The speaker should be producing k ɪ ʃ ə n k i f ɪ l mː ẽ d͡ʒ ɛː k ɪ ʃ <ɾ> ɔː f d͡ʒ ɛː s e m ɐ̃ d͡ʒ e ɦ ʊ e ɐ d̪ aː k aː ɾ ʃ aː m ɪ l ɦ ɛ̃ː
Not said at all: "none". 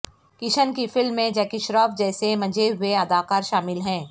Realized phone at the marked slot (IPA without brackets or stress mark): ɾ